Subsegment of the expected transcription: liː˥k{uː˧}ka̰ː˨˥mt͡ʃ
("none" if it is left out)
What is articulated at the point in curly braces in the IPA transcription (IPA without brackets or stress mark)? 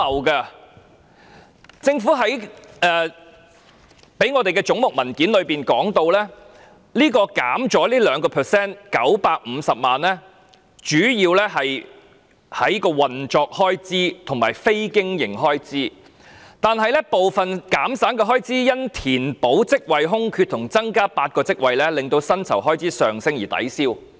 ɔː˧